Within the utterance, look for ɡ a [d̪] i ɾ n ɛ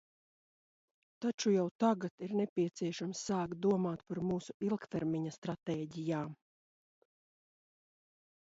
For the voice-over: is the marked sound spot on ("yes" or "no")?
no